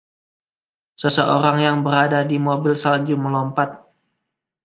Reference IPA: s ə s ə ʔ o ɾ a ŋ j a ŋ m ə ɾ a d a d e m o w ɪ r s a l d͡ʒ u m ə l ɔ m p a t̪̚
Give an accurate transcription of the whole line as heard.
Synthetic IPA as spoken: s ə s ə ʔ o ɾ a ŋ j a ŋ b ə ɾ a d a d i m o b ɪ l s a l d͡ʒ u m ə l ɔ m p a t̪̚